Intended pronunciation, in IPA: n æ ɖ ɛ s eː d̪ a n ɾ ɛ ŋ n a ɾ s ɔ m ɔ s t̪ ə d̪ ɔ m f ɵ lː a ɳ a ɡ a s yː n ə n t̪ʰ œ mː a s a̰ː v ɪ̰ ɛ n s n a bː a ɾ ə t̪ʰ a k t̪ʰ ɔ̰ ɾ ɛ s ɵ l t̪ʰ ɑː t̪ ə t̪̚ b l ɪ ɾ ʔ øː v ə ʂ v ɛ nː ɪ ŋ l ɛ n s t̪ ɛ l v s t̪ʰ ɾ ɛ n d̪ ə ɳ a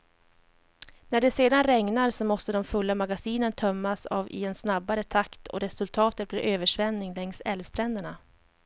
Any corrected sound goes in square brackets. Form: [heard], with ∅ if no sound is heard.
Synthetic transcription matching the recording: n æ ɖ ɛ s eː d̪ a n ɾ ɛ ŋ n a ɾ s ɔ m ɔ s t̪ ə d̪ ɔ m f ɵ lː a [m] a ɡ a s [iː] n ə n t̪ʰ œ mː a s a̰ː v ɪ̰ ɛ n s n a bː a ɾ ə t̪ʰ a k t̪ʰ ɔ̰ ɾ ɛ s ɵ l t̪ʰ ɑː t̪ ə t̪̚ b l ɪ ɾ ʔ øː v ə ʂ v ɛ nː ɪ ŋ l ɛ [ŋ] s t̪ ɛ l v s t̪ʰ ɾ ɛ n d̪ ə ɳ a